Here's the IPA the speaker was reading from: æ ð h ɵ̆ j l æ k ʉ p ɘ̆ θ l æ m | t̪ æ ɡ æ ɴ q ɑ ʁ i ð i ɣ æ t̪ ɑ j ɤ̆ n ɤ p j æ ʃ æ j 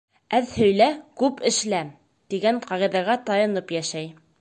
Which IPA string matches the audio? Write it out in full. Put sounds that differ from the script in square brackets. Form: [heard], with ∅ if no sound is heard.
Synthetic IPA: æ ð h ɵ̆ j l æ k ʉ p ɘ̆ [ʃ] l æ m | t̪ [i] ɡ æ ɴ q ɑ ʁ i ð [æ] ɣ æ t̪ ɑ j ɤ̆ n ɤ p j æ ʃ æ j